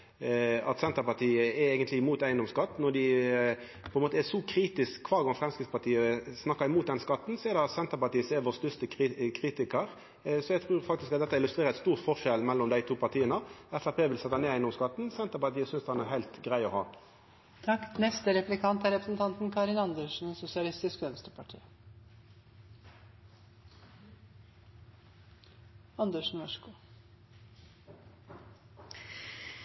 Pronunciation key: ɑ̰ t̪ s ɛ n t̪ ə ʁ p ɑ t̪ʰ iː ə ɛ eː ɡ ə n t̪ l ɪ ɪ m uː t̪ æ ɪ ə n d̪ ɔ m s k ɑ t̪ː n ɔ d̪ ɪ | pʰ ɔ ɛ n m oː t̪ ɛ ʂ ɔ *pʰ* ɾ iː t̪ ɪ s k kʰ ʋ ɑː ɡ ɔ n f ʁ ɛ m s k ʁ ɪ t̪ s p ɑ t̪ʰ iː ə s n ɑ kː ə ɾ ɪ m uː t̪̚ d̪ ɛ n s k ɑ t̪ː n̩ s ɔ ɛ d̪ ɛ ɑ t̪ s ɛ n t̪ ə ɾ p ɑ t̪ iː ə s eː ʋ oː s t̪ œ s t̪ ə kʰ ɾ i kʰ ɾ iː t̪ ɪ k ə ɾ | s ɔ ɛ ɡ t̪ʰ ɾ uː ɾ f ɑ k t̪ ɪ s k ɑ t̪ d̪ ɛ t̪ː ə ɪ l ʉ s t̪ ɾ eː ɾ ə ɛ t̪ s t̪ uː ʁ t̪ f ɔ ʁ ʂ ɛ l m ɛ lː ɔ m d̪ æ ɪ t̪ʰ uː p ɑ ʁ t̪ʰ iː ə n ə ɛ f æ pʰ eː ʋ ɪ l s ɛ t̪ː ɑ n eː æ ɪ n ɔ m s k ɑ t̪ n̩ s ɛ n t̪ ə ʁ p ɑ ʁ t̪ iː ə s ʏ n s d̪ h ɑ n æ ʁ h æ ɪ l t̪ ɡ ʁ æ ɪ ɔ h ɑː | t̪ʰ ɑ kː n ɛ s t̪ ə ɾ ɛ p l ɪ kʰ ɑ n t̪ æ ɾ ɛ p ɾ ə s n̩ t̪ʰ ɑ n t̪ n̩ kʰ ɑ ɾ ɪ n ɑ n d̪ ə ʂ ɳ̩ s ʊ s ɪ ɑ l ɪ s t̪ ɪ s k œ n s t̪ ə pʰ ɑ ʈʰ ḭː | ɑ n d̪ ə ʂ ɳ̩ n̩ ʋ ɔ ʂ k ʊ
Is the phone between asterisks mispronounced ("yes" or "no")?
yes